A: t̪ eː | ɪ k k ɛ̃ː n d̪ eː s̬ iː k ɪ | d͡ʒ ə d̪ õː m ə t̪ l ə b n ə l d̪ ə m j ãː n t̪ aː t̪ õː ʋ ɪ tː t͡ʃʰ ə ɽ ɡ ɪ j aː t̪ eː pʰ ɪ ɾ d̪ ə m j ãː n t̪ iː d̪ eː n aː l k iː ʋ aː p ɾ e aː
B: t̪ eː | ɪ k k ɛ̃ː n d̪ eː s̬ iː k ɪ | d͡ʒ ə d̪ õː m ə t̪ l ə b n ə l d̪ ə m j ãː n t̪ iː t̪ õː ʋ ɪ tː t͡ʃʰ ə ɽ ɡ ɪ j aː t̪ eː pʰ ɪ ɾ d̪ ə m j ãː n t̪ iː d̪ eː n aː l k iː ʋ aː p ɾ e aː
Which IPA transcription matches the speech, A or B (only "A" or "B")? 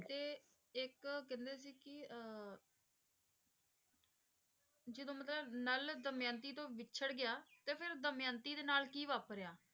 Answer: B